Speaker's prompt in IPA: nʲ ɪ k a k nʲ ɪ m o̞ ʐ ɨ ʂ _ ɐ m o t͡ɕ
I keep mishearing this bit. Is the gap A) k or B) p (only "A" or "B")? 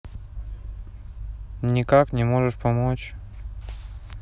B